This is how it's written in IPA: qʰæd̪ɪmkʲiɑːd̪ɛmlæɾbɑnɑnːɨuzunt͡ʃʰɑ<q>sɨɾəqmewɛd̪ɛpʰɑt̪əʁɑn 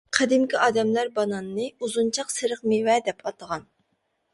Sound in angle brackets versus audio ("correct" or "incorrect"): correct